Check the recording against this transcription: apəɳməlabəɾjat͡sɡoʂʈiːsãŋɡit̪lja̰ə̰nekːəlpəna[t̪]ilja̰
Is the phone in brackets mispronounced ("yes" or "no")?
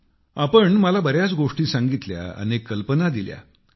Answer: yes